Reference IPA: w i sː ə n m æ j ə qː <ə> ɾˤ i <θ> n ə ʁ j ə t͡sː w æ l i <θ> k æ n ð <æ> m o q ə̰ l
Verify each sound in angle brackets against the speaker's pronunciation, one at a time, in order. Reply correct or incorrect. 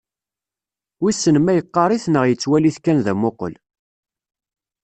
incorrect: ɑ, correct, correct, correct

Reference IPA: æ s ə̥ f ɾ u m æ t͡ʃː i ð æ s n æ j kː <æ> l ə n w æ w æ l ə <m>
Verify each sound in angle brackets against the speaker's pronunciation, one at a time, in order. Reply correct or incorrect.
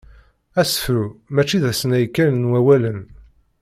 correct, incorrect: n

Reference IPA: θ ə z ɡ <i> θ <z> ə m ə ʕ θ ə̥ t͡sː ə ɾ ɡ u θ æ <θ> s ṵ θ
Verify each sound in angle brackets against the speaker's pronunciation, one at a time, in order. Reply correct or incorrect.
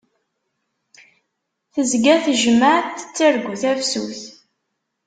incorrect: æ, incorrect: ʒ, incorrect: f

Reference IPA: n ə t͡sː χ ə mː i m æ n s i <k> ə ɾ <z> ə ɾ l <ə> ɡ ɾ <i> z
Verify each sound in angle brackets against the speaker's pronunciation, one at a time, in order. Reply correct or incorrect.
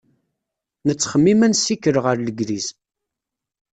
correct, incorrect: ʁ, correct, correct

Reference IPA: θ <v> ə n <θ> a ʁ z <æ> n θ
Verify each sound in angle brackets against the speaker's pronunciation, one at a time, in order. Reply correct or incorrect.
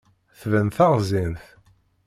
correct, correct, incorrect: i

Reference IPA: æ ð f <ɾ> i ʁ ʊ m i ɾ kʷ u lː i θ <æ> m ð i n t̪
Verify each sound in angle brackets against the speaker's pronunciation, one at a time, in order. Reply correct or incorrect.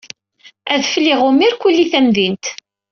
incorrect: l, correct

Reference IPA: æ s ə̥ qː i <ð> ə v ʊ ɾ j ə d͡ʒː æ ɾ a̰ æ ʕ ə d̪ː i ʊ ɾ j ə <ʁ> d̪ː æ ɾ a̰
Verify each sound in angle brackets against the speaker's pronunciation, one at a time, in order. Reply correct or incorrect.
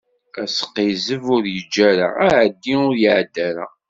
incorrect: z, incorrect: ʕ

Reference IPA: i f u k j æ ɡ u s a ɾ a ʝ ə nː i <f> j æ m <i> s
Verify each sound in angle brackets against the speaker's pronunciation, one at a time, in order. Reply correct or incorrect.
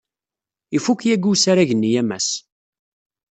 incorrect: none, incorrect: æ

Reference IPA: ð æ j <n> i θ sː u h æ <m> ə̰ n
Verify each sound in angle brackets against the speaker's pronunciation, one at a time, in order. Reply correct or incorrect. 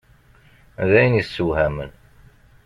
correct, correct

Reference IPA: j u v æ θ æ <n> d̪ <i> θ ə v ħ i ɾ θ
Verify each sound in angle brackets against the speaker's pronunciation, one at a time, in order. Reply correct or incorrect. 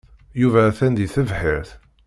correct, correct

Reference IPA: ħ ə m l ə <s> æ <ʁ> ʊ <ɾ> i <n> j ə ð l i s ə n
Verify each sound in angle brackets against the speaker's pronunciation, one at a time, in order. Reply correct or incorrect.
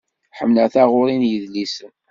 incorrect: θ, correct, correct, correct

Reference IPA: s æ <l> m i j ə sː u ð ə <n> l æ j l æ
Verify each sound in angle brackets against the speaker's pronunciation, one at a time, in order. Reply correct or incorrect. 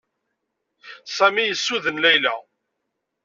incorrect: none, correct

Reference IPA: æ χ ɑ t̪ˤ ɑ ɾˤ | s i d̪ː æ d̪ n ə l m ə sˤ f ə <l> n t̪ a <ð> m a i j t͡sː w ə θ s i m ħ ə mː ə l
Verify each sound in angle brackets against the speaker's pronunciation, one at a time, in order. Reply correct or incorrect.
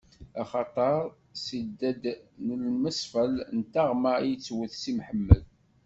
correct, incorrect: ʁ

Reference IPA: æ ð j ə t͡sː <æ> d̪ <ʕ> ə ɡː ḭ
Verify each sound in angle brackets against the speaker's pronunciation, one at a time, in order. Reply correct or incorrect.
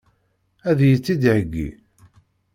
incorrect: i, correct

